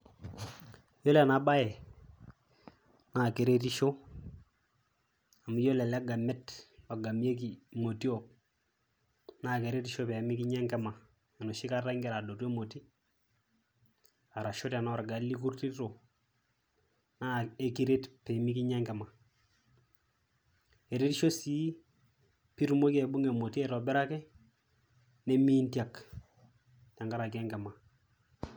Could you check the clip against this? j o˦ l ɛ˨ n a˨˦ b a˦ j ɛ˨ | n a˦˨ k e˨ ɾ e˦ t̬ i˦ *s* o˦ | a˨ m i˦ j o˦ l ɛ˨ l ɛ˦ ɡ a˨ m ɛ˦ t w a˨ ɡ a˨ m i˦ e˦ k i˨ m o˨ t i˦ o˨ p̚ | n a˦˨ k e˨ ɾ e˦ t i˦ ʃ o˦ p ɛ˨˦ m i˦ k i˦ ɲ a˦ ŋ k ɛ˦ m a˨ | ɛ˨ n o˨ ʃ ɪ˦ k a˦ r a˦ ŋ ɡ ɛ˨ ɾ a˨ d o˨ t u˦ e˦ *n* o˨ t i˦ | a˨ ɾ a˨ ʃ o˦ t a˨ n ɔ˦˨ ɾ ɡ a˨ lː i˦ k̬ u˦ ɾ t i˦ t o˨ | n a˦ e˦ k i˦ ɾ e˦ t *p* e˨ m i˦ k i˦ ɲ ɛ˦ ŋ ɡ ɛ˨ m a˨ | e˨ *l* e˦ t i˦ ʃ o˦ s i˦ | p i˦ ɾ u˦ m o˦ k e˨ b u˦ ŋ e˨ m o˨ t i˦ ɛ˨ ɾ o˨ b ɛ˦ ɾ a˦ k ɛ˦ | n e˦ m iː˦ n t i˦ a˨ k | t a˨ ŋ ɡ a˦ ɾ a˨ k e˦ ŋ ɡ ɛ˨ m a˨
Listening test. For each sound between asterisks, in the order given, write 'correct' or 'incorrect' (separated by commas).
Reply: incorrect, incorrect, correct, incorrect